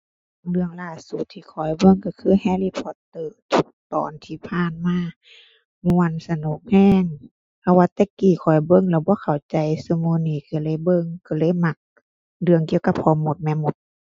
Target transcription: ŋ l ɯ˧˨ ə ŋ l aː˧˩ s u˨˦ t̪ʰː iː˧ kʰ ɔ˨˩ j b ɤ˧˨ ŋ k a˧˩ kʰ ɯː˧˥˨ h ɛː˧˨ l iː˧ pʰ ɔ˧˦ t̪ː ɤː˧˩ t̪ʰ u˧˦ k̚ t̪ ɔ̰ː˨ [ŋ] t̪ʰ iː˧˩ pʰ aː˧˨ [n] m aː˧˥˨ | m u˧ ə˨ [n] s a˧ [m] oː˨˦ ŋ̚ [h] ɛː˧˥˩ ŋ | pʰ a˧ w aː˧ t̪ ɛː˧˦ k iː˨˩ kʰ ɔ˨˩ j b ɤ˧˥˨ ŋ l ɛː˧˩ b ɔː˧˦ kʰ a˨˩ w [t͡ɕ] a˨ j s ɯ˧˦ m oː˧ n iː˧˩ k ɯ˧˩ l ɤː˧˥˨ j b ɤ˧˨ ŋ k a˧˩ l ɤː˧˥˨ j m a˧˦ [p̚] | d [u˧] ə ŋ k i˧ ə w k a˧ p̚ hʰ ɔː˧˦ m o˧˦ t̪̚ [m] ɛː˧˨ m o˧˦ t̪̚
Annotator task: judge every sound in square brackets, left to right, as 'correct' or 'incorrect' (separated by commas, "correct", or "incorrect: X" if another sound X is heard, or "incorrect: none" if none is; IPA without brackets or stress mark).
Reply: incorrect: n, correct, correct, incorrect: n, correct, correct, incorrect: k̚, incorrect: ɯ˧, correct